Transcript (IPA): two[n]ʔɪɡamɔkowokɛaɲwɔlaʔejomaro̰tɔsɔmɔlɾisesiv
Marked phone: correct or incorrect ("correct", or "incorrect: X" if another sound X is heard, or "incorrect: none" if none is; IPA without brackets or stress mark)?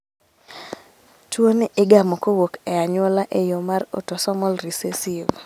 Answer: correct